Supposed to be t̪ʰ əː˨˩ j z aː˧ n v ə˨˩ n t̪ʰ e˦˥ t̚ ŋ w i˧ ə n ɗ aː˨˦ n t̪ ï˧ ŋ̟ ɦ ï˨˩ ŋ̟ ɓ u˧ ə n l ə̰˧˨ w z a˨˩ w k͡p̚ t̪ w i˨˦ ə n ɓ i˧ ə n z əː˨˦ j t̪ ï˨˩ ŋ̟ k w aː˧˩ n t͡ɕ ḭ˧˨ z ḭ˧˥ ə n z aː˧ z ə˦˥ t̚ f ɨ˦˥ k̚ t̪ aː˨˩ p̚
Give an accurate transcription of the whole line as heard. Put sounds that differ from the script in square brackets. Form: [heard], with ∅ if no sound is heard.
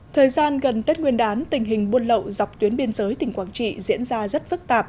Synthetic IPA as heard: t̪ʰ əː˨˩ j z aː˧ n [ɣ] ə˨˩ n [t̪] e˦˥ t̚ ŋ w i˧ ə n ɗ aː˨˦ n t̪ [ï˨˩] ŋ̟ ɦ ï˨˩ ŋ̟ ɓ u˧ ə n l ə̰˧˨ w z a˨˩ w k͡p̚ t̪ w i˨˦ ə n ɓ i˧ ə n z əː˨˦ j t̪ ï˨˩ ŋ̟ k w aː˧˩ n t͡ɕ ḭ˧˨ z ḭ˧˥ ə n z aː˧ z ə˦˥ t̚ f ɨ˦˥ k̚ t̪ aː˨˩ p̚